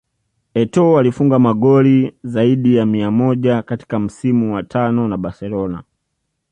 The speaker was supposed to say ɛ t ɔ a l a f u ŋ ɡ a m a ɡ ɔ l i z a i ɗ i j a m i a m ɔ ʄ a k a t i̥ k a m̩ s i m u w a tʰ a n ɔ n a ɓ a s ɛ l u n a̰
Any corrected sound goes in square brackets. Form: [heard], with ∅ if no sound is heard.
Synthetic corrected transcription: ɛ t ɔ a l [i] f u ŋ ɡ a m a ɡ ɔ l i z a i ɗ i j a m i a m ɔ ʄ a k a t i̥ k a m̩ s i m u w a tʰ a n ɔ n a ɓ a s ɛ l [ɔ] n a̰